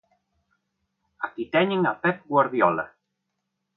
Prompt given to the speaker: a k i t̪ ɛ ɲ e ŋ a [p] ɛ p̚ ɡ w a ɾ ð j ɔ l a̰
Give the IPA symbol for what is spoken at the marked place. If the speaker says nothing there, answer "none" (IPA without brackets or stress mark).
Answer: p